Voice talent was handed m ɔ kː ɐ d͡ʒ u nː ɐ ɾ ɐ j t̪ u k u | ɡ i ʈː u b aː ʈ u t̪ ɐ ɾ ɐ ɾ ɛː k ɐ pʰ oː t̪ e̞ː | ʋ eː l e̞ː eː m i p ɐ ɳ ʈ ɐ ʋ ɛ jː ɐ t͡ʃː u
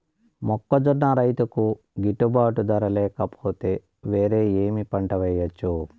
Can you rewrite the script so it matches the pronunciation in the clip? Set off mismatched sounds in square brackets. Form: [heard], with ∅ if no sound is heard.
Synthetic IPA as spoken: m ɔ kː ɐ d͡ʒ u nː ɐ ɾ ɐ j t̪ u k u | ɡ i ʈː u b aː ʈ u [d̪] ɐ ɾ ɐ [l] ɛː k ɐ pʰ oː t̪ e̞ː | ʋ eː [ɾ] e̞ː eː m i p ɐ ɳ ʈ ɐ ʋ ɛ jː ɐ t͡ʃː u